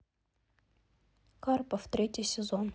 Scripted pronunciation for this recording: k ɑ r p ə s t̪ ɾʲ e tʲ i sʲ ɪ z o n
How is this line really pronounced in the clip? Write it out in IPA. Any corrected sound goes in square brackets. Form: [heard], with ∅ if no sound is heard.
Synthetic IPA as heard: k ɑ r p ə [f] t̪ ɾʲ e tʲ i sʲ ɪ z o n